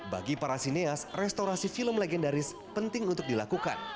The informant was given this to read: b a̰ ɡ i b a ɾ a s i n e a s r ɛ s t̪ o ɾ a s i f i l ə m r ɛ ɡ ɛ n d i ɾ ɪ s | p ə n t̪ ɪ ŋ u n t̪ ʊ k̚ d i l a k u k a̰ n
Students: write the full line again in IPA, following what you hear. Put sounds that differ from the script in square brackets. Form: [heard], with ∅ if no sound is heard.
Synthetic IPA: b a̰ ɡ i [p] a ɾ a s i n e a s r ɛ s t̪ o ɾ a s i f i l ə m [l] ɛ ɡ ɛ n d [a] ɾ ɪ s | p ə n t̪ ɪ ŋ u n t̪ ʊ k̚ d i l a k u k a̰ n